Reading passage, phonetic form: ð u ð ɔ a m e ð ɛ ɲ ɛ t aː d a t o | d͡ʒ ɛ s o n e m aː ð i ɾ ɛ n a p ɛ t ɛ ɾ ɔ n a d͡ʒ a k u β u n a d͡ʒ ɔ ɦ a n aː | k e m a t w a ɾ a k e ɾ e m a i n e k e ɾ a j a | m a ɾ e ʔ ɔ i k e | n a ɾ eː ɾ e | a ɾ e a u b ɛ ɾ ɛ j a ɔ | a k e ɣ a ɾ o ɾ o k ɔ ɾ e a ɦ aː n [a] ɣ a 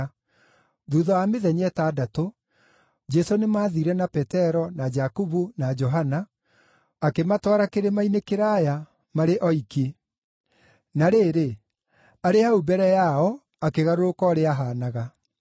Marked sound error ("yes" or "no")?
no